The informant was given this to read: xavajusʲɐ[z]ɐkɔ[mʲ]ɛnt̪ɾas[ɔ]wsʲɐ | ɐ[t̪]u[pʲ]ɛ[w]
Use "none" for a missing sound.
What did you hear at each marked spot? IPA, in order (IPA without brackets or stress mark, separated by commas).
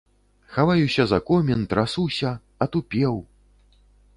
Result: z, mʲ, u, t̪, pʲ, w